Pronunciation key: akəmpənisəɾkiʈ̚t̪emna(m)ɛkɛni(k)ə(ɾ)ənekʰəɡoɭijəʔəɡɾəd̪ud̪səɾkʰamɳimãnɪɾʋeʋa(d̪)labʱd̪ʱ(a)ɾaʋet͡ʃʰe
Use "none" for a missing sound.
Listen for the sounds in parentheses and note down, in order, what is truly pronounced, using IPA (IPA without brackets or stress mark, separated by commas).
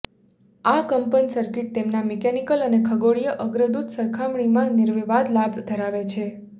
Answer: m, k, l, d̪, ə